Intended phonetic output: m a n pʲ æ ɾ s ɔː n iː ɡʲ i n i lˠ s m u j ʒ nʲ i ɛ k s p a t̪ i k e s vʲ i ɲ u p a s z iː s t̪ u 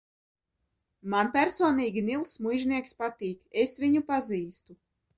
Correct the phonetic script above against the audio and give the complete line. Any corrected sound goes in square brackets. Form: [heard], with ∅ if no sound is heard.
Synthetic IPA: m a n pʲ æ ɾ s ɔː n iː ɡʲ i n i lˠ s m u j ʒ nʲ i ɛ k s p a t̪ [iː] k e s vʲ i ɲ u p a [∅] z iː s t̪ u